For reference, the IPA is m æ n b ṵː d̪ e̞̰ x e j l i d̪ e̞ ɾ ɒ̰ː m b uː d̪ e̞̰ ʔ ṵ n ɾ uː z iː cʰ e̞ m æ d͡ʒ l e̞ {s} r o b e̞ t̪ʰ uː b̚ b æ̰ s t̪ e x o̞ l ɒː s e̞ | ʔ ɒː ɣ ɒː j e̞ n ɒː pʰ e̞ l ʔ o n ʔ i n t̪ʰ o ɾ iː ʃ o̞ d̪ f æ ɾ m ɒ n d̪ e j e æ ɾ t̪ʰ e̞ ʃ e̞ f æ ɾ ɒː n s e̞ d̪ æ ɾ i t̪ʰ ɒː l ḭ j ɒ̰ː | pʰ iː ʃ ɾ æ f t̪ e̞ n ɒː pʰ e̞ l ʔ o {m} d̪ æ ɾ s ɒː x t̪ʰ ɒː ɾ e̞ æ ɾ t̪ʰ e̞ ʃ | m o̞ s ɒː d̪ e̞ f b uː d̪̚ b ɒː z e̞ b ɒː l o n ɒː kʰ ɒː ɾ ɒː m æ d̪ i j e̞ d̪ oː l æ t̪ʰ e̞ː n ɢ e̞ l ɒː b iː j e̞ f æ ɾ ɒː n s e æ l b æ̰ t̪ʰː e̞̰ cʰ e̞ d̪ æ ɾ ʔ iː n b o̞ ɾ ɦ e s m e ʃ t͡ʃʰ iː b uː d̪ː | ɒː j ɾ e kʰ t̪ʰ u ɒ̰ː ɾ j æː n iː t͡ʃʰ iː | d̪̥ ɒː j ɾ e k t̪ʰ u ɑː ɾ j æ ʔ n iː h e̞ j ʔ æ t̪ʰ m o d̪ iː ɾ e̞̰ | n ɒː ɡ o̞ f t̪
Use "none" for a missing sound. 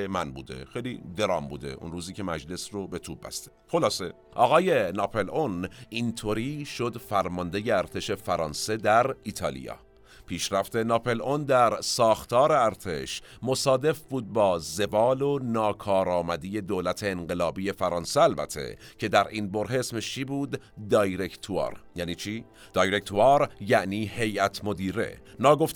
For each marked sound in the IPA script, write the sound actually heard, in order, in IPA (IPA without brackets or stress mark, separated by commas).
s, n